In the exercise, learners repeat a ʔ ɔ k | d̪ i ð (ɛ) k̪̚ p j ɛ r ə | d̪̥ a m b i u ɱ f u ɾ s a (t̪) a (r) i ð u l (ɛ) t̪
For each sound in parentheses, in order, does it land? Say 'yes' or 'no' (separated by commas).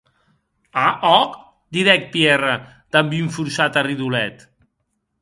yes, yes, yes, yes